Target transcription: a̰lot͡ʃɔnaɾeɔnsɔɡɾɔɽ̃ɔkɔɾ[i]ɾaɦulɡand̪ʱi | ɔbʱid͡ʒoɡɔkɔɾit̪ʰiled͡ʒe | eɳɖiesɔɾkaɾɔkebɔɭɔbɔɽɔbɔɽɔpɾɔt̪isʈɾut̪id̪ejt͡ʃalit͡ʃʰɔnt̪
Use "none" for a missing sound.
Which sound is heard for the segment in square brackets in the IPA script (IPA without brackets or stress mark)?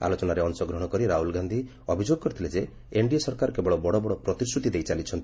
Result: i